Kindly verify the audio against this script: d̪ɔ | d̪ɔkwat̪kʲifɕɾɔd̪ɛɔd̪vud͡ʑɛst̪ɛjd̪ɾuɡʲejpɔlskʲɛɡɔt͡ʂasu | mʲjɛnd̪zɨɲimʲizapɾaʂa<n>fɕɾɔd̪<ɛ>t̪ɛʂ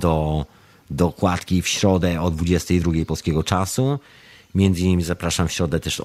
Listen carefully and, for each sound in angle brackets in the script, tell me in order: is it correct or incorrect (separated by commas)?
incorrect, correct